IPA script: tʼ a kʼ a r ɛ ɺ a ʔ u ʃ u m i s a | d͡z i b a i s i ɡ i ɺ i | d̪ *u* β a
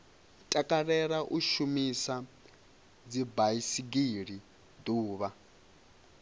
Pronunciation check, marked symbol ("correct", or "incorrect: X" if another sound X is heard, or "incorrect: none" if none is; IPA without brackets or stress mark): incorrect: uː